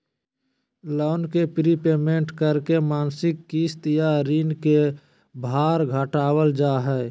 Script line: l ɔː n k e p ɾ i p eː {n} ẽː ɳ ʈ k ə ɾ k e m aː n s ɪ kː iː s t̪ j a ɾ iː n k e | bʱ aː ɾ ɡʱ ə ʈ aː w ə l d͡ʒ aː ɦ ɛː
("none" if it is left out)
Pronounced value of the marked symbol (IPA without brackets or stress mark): m